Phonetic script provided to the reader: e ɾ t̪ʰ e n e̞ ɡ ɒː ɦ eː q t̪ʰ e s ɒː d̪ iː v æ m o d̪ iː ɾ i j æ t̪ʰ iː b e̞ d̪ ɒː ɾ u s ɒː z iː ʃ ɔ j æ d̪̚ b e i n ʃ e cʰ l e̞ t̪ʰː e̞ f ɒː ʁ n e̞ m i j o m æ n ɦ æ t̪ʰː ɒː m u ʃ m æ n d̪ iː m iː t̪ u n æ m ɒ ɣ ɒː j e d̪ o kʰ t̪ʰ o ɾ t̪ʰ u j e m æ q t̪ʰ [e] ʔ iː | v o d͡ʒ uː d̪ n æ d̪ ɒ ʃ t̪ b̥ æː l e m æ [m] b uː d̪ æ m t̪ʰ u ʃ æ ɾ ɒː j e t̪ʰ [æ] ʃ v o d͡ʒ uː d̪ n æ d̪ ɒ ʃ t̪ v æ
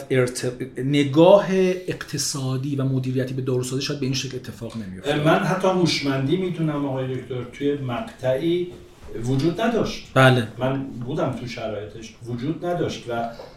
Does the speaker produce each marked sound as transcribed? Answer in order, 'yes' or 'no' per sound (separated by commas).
no, no, no